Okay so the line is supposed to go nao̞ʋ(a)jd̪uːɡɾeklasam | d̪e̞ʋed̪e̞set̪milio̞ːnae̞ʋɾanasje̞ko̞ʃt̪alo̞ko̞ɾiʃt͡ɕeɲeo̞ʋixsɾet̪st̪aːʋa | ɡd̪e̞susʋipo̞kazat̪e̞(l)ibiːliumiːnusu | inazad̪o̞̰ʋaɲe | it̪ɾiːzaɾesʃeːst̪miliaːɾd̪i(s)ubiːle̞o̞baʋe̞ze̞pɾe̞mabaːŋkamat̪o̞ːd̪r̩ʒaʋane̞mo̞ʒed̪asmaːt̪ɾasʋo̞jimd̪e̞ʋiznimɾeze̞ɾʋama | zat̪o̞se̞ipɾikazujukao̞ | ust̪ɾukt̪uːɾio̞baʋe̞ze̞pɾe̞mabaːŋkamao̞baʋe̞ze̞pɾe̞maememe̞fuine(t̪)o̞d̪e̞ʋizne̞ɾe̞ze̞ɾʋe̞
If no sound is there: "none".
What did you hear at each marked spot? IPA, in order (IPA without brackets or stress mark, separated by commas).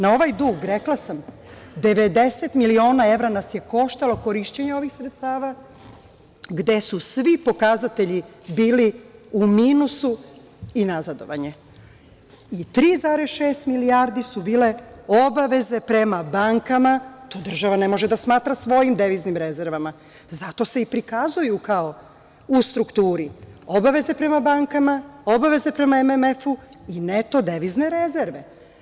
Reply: a, ʎ, s, t̪